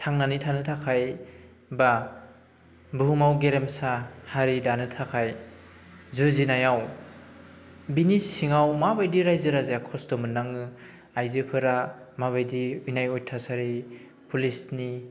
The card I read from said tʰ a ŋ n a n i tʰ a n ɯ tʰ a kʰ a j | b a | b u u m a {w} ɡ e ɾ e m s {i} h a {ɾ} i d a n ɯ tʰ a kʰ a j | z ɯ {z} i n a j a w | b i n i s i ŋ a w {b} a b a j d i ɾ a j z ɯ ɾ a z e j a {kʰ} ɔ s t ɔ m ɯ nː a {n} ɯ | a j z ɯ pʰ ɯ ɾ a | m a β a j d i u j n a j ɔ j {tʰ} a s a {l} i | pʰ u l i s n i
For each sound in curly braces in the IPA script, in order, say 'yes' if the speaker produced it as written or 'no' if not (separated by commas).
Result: yes, no, yes, yes, no, yes, no, yes, no